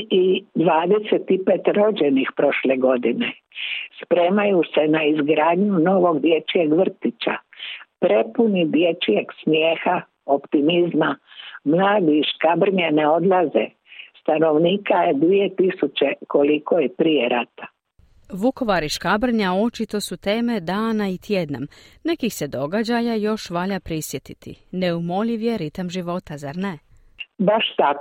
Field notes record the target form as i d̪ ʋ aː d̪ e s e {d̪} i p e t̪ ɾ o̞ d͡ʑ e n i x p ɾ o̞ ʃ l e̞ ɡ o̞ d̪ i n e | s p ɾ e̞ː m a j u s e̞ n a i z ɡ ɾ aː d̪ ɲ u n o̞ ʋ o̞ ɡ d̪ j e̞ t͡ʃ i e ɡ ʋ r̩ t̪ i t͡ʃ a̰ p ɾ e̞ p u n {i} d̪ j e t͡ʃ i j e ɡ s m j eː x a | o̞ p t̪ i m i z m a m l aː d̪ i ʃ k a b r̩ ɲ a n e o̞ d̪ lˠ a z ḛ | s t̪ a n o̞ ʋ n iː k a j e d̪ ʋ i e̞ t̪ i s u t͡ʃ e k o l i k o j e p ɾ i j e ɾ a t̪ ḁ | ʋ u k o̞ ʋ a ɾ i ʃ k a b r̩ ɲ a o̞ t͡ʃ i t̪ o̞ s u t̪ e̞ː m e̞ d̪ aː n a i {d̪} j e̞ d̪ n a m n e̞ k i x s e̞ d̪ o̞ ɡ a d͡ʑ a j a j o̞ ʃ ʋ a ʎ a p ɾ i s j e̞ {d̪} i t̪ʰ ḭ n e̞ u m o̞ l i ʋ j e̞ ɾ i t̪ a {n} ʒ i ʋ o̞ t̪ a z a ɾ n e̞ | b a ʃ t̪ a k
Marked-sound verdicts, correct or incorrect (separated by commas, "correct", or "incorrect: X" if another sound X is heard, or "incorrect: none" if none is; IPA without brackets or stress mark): incorrect: t̪, correct, incorrect: t̪, incorrect: t̪, incorrect: m